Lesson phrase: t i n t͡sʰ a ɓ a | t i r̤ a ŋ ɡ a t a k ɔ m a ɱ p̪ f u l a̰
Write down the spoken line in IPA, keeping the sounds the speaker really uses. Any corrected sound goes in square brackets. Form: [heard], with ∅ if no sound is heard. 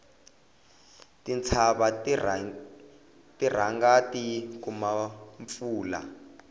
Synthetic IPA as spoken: t i n t͡sʰ a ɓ a | t i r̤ a ŋ ɡ a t [i] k [u] m a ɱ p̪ f [uː] l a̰